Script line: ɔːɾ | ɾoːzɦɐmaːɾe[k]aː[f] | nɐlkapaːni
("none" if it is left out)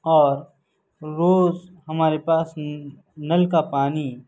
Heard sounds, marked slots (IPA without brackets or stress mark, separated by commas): p, s